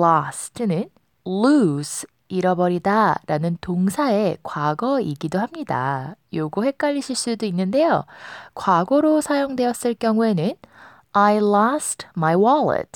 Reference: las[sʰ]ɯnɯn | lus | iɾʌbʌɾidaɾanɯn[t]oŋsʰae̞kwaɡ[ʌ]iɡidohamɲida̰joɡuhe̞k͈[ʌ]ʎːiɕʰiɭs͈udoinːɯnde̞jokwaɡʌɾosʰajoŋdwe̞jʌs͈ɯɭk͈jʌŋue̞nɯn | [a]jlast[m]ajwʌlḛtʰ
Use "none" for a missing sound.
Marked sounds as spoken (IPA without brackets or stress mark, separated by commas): tʰ, t, ʌ, a, a, m